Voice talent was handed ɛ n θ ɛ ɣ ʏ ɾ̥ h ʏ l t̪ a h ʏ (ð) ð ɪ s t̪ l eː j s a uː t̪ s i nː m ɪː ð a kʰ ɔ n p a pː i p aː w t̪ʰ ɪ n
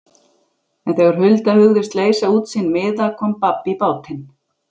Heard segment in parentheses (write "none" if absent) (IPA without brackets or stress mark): ɣ